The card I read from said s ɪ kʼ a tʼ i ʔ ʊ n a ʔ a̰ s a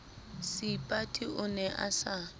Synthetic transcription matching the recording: s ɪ pʼ a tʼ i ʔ ʊ n ɛ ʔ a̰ s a